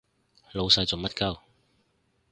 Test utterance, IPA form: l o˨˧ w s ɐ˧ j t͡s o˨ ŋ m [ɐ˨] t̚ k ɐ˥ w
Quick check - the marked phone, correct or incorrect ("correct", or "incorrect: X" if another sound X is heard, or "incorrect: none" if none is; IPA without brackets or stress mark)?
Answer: incorrect: ɐ˥